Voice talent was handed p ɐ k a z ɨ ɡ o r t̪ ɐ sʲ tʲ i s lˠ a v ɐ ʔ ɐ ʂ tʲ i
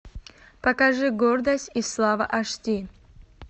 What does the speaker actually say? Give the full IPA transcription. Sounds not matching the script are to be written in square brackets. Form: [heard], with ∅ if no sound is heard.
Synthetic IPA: p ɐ k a [ʐ] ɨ ɡ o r [d̪] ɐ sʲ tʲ i s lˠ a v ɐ ʔ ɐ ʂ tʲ i